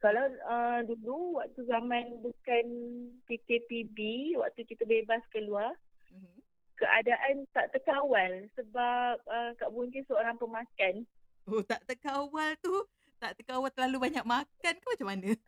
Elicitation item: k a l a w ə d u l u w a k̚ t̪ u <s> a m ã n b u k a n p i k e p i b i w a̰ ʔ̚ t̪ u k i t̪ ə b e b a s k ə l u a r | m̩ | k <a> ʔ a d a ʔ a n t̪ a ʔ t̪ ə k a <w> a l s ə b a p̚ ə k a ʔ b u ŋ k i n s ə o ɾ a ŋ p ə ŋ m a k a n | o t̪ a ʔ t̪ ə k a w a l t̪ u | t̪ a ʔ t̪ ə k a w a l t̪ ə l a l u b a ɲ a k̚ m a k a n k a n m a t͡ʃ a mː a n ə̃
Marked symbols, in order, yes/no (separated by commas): no, no, yes